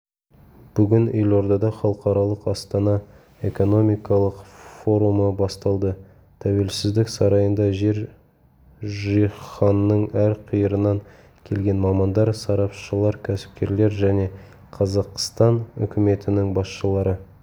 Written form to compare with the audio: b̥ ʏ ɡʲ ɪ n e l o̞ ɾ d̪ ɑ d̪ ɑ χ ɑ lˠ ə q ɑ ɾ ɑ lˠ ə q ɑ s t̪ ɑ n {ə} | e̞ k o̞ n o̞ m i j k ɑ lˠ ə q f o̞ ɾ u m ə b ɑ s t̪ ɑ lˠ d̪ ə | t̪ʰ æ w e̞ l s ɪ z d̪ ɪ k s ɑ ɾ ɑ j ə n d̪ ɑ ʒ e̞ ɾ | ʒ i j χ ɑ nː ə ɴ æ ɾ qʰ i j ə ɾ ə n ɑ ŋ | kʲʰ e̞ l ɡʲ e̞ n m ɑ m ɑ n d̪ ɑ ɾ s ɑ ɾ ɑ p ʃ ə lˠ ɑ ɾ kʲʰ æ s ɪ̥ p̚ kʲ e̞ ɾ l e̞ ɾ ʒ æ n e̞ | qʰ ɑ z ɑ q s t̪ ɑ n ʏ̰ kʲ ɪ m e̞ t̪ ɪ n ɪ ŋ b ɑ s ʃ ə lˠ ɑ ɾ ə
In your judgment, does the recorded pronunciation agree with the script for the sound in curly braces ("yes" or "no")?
no